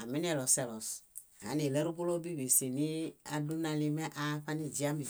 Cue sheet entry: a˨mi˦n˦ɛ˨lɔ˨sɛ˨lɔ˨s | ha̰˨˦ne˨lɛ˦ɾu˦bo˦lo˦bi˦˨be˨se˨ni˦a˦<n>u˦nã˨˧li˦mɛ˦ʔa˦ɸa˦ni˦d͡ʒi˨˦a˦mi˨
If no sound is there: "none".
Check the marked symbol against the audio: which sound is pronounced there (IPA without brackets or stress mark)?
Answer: d